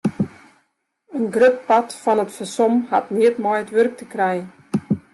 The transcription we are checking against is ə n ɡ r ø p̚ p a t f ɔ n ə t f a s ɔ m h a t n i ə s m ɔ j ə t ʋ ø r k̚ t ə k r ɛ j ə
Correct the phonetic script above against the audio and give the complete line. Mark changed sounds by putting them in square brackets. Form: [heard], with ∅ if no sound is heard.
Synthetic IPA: ə n ɡ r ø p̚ p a t f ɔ n ə t f [ə] s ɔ m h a t n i ə [t] m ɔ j ə t ʋ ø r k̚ t ə k r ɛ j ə

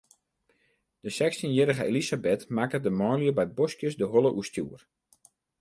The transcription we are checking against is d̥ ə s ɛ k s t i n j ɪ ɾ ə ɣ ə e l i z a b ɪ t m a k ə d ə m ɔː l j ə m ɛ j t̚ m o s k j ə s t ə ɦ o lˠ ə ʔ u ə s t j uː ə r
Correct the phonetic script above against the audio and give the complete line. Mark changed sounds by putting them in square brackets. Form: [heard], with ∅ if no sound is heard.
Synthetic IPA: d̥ ə s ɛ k s t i n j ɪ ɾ ə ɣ ə e l i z a b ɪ t m a k ə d ə m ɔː l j ə [b] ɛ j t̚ [b] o s k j ə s [d] ə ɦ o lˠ ə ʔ u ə s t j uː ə r

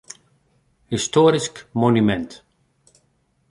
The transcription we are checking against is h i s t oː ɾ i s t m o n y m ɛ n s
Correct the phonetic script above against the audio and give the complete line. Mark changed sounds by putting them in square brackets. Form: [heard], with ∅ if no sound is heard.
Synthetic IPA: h i s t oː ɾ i s [k] m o n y m ɛ n [t]

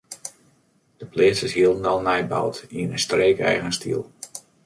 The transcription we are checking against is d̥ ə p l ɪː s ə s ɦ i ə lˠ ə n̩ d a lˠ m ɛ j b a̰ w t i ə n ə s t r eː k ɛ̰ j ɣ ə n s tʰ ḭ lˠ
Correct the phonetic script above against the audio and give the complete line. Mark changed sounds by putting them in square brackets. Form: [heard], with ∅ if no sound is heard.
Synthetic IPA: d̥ ə p l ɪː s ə s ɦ i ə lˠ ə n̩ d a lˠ [n] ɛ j b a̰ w t i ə n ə s t r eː k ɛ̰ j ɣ ə n s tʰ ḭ lˠ

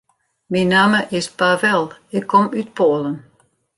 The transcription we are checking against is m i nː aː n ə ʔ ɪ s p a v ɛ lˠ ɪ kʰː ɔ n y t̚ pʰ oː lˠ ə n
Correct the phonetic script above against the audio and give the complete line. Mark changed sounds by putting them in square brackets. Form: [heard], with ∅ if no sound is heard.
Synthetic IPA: m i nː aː [m] ə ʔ ɪ s p a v ɛ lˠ ɪ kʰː ɔ [m] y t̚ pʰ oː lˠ ə n

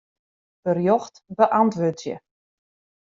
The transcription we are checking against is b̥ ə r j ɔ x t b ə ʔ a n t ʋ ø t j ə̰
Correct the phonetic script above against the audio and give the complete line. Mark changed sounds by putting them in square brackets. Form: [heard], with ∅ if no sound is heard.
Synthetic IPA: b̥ ə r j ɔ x t b ə ʔ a n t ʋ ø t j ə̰

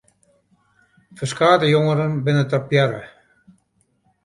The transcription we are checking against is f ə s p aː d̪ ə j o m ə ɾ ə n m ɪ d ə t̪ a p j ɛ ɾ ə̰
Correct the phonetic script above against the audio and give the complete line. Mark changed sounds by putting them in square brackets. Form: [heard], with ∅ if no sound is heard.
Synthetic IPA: f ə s [k] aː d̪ ə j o [ŋ] ə ɾ ə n [b] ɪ [n] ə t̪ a p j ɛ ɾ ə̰

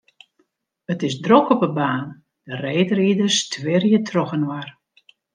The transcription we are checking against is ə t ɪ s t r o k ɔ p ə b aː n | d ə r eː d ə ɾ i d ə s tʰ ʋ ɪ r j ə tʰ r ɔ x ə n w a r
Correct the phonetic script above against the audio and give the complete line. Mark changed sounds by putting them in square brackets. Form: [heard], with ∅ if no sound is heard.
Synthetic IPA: ə t ɪ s [d] r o k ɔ p ə b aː n | d ə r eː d ə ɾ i d ə s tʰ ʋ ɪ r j ə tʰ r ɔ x ə n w a r

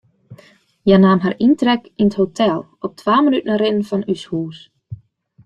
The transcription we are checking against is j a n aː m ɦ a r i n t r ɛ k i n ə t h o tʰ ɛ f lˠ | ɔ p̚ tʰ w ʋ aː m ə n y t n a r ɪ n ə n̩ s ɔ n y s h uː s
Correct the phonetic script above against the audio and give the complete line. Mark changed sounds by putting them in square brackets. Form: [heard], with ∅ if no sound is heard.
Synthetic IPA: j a n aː m ɦ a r i n t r ɛ k i n ə t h o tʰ ɛ [∅] lˠ | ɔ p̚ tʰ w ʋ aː m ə n y t n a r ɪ n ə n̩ [f] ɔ n y s h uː s

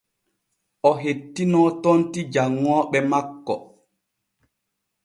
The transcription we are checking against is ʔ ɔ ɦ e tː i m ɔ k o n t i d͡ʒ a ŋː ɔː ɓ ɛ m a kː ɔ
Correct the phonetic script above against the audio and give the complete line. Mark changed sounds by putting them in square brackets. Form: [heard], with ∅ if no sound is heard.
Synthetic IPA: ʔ ɔ ɦ e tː i [n] ɔ [t] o n t i d͡ʒ a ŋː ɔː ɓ ɛ m a kː ɔ

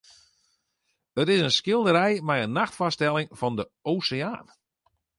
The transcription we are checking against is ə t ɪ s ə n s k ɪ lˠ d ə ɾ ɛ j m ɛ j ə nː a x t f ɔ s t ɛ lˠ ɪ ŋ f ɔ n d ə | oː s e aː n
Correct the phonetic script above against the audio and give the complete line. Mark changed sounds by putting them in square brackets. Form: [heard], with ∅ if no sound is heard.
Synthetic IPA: ə t ɪ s ə n s k ɪ lˠ d ə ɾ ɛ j m ɛ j ə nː a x t f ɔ s t ɛ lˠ ɪ ŋ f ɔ n d ə | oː s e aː n

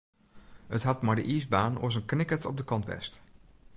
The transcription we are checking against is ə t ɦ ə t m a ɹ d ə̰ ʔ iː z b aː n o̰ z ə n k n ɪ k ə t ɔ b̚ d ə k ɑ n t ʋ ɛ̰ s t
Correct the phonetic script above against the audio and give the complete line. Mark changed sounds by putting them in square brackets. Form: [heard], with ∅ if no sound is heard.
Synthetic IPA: ə t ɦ [ɑ] t m a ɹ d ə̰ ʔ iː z b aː n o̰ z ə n k n ɪ k ə t ɔ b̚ d ə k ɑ n t ʋ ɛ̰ s t

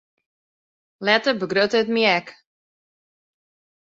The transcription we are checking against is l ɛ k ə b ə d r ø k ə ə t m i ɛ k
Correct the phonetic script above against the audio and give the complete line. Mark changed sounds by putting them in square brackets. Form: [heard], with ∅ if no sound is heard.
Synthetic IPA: l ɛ [t] ə b ə [ɡ] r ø [t] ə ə t m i ɛ k

